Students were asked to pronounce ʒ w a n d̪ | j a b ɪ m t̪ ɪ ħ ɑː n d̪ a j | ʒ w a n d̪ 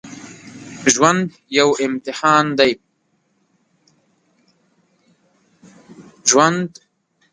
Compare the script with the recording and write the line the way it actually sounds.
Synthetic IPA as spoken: ʒ w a n d̪ | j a w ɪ m t̪ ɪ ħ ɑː n d̪ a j | ʒ w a n d̪